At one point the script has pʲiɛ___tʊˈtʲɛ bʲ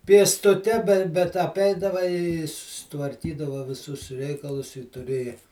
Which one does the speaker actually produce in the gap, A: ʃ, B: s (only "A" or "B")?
B